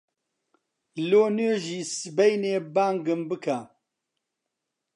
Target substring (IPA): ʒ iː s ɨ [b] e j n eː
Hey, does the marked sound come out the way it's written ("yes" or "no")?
yes